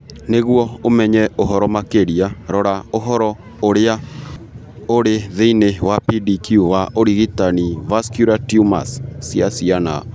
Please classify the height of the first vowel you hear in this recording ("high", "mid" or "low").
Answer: mid